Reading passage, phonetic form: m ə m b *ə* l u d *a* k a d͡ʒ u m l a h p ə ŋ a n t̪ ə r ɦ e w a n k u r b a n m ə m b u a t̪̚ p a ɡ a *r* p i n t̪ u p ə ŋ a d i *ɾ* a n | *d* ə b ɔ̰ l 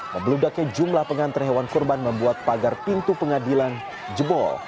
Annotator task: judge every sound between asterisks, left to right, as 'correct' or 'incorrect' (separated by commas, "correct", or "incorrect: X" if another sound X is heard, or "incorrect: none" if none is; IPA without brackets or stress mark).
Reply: correct, correct, correct, incorrect: l, incorrect: d͡ʒ